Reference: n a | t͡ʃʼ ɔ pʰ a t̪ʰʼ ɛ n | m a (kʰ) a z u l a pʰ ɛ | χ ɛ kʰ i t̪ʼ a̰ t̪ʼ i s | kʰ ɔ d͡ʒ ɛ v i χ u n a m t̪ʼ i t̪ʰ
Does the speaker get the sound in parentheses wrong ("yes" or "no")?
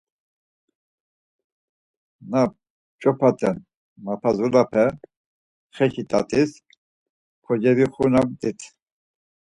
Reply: yes